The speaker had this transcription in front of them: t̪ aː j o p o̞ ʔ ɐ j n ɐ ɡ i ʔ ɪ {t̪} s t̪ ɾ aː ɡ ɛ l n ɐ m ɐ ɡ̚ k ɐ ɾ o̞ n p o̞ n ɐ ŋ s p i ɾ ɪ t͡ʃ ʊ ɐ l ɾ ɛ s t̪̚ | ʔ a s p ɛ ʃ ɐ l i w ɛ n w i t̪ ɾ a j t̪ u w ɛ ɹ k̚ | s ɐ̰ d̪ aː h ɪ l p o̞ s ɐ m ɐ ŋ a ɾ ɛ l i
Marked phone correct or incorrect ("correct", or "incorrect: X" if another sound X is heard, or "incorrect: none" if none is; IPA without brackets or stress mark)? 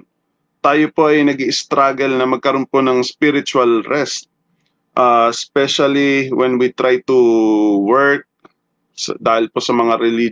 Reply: incorrect: none